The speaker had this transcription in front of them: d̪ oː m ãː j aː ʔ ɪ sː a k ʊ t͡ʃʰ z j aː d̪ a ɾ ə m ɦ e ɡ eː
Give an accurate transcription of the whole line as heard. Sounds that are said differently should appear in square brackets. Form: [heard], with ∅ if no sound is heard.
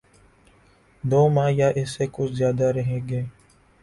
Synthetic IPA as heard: d̪ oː m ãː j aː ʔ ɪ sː [e] k ʊ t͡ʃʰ z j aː d̪ a ɾ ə [∅] ɦ e ɡ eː